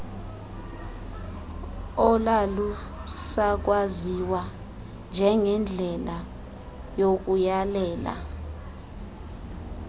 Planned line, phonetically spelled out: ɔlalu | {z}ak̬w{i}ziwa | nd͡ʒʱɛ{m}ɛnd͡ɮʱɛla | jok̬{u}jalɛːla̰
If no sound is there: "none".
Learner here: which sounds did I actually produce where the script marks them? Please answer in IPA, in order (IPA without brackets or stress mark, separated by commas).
s, a, ŋ, u